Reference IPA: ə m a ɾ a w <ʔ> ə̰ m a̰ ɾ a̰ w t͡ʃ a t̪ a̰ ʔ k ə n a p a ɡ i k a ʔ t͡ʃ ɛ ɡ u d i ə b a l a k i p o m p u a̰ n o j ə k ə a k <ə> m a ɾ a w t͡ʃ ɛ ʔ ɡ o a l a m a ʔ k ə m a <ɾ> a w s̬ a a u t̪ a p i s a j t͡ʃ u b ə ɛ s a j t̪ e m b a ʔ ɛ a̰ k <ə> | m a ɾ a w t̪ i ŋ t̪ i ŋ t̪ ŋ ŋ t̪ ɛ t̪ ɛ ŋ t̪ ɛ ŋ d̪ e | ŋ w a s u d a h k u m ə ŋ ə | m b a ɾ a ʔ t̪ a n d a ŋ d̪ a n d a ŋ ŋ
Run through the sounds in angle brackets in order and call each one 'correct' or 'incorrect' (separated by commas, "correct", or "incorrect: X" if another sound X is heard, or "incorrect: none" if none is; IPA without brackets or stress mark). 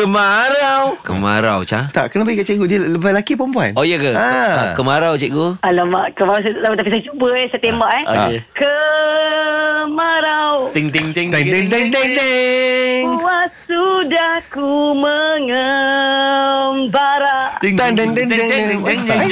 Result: incorrect: k, correct, correct, correct